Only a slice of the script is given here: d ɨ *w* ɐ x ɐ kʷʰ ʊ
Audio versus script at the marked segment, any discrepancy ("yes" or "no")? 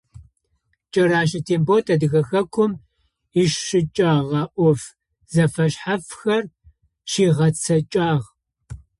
yes